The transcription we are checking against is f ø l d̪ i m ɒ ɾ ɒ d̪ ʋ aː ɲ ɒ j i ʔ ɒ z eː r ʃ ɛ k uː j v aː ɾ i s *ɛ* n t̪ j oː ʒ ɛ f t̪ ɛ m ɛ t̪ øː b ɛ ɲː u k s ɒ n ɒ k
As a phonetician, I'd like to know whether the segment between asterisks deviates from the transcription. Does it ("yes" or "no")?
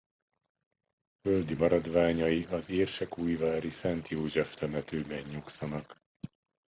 no